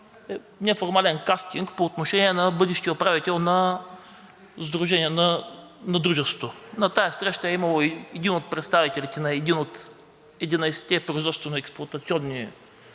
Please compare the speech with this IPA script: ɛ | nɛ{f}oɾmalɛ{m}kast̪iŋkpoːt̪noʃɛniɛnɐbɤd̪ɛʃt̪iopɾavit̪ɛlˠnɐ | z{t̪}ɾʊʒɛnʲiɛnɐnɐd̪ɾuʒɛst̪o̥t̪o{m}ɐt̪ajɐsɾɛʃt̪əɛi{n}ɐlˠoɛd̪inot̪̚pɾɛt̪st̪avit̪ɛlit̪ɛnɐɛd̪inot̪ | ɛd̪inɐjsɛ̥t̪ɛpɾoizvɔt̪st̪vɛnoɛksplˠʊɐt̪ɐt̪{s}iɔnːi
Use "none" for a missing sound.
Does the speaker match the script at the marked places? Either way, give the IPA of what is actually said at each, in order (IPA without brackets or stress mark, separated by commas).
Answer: f, n, d̪, n, m, s